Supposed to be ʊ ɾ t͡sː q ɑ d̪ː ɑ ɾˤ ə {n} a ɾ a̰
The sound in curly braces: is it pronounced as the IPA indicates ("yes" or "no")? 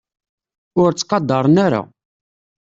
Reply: yes